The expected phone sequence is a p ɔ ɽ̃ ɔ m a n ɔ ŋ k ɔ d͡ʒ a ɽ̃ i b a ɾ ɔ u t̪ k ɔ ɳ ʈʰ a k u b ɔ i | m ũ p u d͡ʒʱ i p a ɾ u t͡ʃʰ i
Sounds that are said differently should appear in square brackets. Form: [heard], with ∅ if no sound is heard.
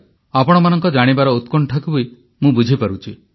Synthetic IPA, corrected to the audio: a p ɔ ɽ̃ ɔ m a n ɔ ŋ k ɔ d͡ʒ a ɽ̃ i b a ɾ ɔ u t̪ k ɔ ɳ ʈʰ a k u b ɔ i | m ũ [b] u d͡ʒʱ i p a ɾ u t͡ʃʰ i